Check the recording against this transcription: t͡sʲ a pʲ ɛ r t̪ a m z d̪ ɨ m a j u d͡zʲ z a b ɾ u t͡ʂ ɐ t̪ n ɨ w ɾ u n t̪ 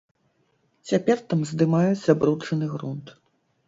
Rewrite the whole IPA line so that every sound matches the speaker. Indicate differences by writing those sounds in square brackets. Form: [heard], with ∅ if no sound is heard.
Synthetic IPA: t͡sʲ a pʲ ɛ r t̪ a m z d̪ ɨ m a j u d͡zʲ z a b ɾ u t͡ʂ ɐ [∅] n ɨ [ɣ] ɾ u n t̪